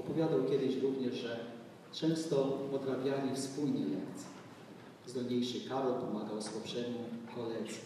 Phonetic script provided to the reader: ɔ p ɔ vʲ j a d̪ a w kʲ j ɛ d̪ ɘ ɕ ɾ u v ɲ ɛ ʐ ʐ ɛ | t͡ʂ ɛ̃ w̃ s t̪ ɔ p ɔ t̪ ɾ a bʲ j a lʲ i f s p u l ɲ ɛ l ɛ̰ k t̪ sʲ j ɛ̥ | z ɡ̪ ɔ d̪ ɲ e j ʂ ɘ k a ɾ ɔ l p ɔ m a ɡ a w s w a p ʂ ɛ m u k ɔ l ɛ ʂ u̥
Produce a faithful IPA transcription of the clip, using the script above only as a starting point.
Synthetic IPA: ɔ p ɔ vʲ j a d̪ a w kʲ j ɛ d̪ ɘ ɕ ɾ u v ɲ ɛ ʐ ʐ ɛ | t͡ʂ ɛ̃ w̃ s t̪ ɔ p ɔ t̪ ɾ a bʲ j a lʲ i f s p u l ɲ ɛ l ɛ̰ k t̪ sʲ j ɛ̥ | z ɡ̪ ɔ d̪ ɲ e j ʂ ɘ k a ɾ ɔ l p ɔ m a ɡ a w s w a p ʂ ɛ m u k ɔ l ɛ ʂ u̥